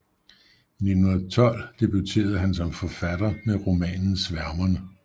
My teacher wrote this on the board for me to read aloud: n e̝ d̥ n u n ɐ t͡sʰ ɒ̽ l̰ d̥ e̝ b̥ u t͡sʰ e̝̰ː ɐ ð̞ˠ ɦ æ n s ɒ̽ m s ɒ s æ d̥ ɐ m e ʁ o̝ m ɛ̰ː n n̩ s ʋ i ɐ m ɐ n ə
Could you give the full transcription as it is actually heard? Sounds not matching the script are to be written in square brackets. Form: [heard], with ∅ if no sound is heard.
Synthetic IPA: n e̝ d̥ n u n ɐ t͡sʰ ɒ̽ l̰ d̥ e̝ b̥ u t͡sʰ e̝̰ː ɐ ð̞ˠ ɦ æ n s ɒ̽ m [f] ɒ [f] æ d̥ ɐ m e ʁ o̝ m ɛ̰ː n n̩ s ʋ [æ] ɐ m ɐ n ə